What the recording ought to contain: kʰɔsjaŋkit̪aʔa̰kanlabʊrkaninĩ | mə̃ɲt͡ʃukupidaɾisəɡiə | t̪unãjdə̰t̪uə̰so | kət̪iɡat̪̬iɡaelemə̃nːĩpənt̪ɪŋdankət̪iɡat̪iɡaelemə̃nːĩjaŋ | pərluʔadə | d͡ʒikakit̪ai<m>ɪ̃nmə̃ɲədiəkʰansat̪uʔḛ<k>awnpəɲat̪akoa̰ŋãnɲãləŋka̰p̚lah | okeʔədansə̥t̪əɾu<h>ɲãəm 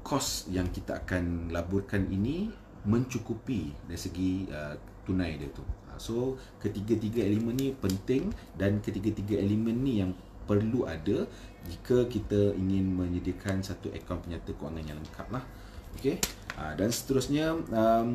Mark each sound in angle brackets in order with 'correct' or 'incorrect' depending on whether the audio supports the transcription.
incorrect, correct, incorrect

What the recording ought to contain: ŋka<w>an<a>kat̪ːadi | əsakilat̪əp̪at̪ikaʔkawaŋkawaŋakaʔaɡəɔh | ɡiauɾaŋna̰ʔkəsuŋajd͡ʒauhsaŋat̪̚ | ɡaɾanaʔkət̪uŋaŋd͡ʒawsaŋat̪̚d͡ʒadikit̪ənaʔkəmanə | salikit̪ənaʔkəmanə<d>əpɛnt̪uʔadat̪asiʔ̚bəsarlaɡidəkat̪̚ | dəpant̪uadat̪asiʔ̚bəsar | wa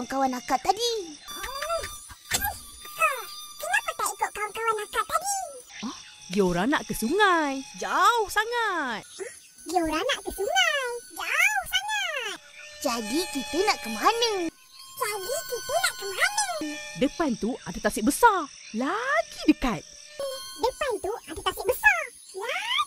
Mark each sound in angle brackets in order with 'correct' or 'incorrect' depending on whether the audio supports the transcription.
correct, correct, correct

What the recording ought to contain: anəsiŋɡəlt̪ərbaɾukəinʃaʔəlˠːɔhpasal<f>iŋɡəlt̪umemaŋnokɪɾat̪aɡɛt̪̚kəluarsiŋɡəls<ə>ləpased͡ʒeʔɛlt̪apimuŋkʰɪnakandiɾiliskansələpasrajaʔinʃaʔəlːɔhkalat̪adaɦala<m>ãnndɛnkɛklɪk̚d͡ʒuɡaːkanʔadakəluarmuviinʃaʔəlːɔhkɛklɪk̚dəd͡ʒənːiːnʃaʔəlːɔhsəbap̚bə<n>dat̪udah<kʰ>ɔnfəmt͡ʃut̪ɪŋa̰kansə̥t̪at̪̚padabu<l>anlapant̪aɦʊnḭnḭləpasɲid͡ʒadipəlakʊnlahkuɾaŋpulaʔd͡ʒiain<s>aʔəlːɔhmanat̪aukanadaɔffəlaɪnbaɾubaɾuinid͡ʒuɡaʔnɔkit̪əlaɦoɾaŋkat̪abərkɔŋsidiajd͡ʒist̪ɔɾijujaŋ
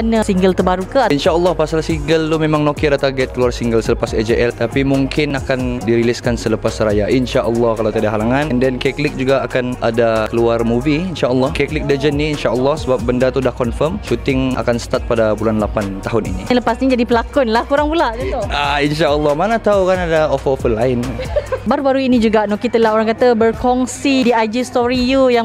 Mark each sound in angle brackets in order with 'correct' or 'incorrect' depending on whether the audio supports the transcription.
incorrect, correct, incorrect, correct, incorrect, correct, incorrect

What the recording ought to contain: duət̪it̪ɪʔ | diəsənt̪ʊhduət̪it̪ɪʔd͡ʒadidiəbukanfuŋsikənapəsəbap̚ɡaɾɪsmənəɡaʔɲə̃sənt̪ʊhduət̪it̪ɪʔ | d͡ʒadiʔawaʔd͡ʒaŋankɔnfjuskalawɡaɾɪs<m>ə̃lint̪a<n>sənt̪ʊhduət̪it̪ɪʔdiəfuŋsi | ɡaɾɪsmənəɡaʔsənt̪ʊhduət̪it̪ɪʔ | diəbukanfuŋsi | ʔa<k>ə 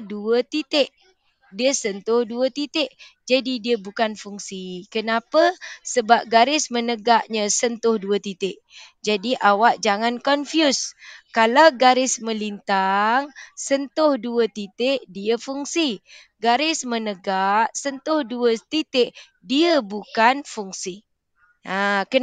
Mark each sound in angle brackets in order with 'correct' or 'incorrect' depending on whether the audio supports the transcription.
correct, incorrect, correct

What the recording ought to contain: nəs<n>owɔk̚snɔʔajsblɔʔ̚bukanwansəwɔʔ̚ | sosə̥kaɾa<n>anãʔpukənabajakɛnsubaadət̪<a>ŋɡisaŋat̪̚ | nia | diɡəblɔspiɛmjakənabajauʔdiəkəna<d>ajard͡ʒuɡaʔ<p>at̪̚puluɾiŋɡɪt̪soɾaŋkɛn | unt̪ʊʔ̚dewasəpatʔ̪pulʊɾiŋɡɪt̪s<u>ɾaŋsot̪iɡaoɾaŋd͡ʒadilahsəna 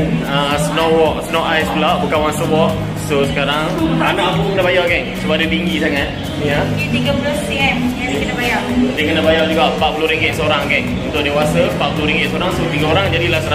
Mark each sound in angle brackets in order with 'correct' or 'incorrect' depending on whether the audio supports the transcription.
correct, incorrect, incorrect, incorrect, correct, incorrect

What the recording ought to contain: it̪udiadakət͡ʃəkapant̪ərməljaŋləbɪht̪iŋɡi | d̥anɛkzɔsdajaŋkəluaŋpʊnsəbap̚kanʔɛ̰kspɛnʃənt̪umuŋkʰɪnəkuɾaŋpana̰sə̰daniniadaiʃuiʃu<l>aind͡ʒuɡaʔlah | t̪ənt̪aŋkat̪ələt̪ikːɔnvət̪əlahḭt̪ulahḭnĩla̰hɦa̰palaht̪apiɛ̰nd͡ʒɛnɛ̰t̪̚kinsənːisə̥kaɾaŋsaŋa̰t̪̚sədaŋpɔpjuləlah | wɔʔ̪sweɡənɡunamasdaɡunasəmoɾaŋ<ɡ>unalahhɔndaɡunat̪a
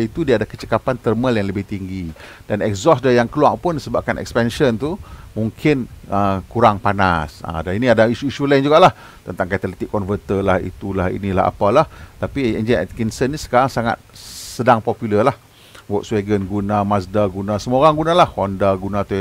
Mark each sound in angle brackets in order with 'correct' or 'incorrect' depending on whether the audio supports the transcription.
correct, correct

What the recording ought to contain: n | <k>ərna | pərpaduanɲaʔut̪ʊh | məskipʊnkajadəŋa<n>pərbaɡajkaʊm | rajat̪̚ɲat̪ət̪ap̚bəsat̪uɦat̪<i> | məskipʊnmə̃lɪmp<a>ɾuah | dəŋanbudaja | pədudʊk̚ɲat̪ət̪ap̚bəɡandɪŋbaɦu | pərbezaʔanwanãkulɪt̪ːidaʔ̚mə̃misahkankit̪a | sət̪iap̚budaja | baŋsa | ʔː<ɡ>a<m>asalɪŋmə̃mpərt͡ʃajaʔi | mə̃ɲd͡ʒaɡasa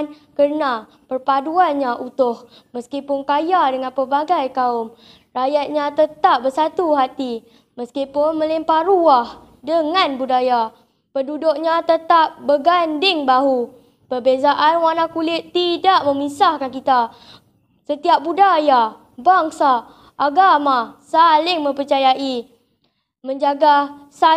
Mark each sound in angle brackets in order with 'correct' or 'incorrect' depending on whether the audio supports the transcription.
correct, correct, correct, correct, correct, correct

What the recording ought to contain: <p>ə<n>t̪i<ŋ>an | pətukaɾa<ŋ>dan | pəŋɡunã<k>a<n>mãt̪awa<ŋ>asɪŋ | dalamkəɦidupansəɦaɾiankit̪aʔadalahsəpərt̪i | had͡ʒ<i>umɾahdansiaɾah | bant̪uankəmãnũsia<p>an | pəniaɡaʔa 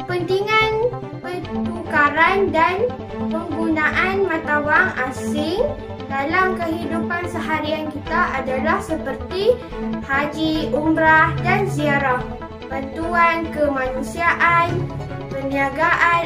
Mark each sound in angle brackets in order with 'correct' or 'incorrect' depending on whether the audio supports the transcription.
correct, correct, correct, incorrect, incorrect, correct, correct, correct, incorrect

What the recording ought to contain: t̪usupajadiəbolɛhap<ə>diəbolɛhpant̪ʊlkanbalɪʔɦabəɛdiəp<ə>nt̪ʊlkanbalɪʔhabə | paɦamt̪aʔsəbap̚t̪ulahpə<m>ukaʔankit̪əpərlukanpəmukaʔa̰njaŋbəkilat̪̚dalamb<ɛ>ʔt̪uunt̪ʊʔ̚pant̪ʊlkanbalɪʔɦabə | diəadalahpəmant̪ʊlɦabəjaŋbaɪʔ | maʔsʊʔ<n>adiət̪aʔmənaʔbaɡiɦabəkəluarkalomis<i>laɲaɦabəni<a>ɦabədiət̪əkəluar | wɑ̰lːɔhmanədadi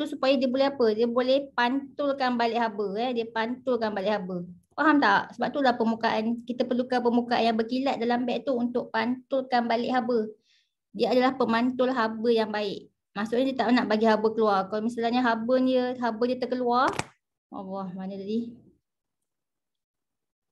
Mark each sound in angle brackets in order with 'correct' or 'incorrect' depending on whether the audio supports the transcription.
correct, incorrect, correct, correct, incorrect, incorrect, incorrect

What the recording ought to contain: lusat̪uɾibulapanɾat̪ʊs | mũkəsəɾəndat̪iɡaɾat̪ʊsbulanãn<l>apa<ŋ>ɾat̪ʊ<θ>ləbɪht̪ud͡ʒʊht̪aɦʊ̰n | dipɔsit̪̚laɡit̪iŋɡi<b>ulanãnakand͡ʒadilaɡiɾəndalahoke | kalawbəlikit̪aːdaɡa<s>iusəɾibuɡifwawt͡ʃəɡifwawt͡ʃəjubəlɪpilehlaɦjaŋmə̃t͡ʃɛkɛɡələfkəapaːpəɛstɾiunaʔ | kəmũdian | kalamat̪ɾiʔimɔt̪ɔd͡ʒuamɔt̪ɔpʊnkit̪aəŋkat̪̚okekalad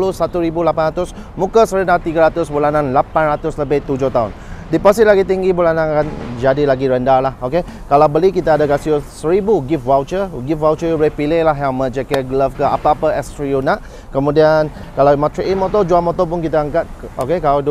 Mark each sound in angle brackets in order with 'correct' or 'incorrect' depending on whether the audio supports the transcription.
correct, incorrect, incorrect, correct, correct

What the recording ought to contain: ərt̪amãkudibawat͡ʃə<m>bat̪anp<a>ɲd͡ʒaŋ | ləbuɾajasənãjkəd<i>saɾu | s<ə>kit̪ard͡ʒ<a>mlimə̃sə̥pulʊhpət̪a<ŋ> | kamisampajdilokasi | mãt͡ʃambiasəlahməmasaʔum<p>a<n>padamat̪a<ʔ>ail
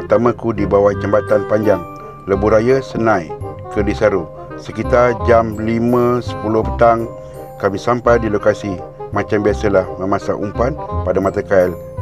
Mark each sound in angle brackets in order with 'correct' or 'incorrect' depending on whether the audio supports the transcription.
correct, correct, correct, correct, correct, correct, correct, correct, incorrect

